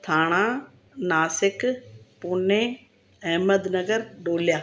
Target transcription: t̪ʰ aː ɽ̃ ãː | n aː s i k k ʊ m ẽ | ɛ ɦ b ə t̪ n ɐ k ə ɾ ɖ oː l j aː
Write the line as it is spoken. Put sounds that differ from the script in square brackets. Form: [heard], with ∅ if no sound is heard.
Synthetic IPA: t̪ʰ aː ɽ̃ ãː | n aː s [ɪ] k [p] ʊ [n] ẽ | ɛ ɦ [m] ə [d̪] n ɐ [ɡ] ə ɾ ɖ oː l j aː